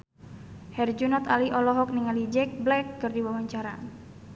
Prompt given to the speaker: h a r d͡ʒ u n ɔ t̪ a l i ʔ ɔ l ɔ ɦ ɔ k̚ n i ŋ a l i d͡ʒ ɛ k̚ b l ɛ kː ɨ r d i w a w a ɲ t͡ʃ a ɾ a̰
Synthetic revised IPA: h ɛ r d͡ʒ u n ɔ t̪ a l i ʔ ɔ l ɔ ɦ ɔ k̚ n i ŋ a l i d͡ʒ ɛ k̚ b l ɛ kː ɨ r d i w a w a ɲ t͡ʃ a ɾ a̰